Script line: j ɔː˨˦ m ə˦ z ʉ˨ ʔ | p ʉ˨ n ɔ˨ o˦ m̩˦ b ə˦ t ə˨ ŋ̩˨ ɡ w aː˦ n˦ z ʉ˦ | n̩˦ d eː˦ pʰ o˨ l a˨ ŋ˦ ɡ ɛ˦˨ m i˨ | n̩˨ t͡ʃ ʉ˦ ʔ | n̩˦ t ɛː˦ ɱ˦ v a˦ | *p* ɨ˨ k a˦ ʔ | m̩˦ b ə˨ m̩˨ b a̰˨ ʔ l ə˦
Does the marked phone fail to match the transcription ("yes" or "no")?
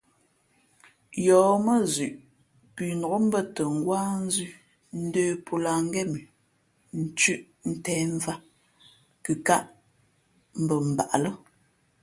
yes